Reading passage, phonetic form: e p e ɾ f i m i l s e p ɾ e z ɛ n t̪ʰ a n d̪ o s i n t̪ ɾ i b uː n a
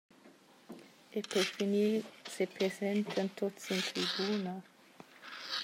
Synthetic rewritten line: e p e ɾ f i n i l s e p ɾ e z ɛ n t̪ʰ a n t̪ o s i n t̪ ɾ i b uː n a

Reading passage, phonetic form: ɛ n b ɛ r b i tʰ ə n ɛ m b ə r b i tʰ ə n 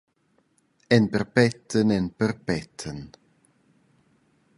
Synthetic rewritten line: ɛ n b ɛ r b ɛ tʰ ə n ɛ n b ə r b ɛ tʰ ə n

